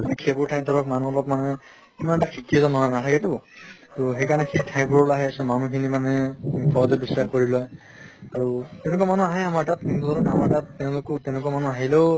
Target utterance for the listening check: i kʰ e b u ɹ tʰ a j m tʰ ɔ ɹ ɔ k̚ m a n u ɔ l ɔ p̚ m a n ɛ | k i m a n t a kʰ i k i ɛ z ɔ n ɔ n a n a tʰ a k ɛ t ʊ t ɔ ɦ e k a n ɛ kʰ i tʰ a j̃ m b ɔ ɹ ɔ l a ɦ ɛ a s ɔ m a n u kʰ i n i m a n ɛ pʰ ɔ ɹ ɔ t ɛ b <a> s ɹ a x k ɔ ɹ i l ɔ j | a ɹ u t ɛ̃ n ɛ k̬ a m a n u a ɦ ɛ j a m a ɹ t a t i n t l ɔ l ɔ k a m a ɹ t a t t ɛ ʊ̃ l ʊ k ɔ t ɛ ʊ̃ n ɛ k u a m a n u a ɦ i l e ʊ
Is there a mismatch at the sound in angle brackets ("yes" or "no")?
yes